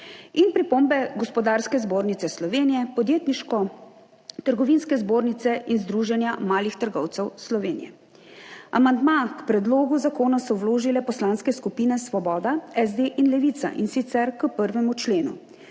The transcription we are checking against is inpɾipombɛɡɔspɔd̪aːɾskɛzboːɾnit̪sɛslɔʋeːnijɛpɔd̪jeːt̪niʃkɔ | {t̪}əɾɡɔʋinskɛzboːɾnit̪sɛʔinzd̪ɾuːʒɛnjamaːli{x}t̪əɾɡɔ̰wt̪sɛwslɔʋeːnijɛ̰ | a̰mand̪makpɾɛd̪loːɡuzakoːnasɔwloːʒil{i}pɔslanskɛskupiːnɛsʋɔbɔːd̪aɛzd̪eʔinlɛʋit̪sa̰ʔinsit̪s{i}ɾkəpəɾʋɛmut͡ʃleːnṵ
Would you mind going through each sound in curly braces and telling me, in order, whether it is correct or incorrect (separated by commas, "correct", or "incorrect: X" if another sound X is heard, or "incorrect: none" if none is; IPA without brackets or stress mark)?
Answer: correct, correct, incorrect: ɛ, incorrect: ɛ